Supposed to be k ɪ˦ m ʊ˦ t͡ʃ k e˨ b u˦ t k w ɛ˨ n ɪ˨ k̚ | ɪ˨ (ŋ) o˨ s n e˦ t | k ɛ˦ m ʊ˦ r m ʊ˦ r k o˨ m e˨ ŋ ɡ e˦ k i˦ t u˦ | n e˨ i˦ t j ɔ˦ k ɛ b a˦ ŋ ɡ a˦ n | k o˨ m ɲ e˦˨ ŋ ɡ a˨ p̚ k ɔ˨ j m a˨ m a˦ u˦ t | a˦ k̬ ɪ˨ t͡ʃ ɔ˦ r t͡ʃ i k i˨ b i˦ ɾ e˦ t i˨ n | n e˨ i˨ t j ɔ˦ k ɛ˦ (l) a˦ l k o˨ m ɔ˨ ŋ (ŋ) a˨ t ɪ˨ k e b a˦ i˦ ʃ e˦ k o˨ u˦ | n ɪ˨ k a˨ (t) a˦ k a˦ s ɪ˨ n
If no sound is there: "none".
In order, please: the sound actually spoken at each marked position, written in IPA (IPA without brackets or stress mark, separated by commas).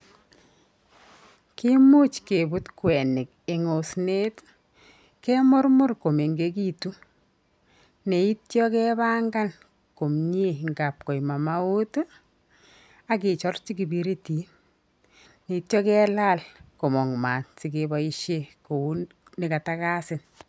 ŋ, l, m, t